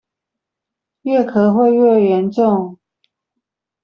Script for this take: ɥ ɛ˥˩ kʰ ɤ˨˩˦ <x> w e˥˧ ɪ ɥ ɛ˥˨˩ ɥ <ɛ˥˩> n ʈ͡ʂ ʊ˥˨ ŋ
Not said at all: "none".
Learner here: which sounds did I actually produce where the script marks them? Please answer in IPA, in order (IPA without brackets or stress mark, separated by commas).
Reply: x, ɛ˧˦